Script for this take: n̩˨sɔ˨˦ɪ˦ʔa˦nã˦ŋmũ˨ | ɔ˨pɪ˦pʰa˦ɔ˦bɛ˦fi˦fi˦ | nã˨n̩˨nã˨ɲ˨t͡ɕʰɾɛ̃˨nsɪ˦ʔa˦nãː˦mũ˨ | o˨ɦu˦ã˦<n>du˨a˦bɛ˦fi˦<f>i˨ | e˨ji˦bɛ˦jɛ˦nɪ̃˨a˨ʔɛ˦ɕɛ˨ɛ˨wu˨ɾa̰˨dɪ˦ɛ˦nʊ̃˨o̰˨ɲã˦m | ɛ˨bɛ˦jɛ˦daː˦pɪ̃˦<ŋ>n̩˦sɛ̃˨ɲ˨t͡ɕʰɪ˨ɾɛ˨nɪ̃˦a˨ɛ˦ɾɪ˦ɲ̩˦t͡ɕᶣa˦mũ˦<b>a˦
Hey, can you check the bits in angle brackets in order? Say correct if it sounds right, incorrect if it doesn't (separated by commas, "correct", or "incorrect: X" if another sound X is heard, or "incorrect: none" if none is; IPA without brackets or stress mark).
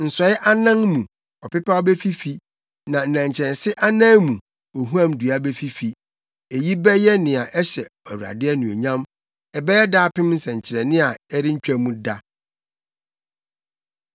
incorrect: m, correct, incorrect: m, incorrect: d